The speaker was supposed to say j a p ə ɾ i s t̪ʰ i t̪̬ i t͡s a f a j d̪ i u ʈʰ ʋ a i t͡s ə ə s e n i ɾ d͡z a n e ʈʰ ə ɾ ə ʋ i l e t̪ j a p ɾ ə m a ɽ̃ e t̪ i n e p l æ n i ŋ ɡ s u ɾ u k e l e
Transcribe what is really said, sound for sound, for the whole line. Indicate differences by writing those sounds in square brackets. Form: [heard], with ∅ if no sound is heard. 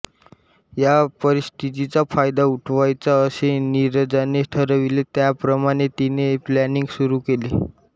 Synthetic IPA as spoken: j a p ə ɾ i s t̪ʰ i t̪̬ i t͡s a f a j d̪ [a] u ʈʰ ʋ a [j] t͡s [a] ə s e n i ɾ d͡z a n e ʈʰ ə ɾ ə ʋ i l e t̪ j a p ɾ ə m a ɽ̃ e t̪ i n e p l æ n i ŋ ɡ s u ɾ u k e l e